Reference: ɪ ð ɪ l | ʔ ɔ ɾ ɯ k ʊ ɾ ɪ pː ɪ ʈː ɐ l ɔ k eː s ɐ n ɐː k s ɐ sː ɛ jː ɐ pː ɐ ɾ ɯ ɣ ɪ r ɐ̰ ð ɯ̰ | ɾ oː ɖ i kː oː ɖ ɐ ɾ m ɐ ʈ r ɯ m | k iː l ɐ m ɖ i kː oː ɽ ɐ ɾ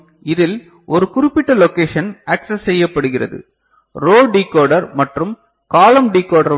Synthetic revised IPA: ɪ ð ɪ l | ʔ ɔ ɾ ɯ k ʊ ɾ ɪ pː ɪ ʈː ɐ l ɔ k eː ʂ ɐ n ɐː k s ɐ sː ɛ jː ɐ pː ɐ ɽ ɯ ɣ ɪ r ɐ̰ ð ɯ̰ | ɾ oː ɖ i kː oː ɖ ɐ ɾ m ɐ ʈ r ɯ m | k aː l ɐ m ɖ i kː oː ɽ ɐ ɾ